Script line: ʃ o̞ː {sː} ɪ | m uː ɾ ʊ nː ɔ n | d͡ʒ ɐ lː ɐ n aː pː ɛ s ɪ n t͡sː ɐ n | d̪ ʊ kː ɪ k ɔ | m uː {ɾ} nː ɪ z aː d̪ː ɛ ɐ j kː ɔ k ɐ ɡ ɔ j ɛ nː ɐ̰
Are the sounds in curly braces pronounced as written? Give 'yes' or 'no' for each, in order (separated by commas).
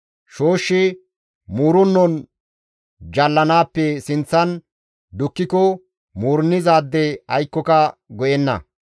no, yes